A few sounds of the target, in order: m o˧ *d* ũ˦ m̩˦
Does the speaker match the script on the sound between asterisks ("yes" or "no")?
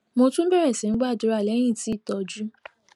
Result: no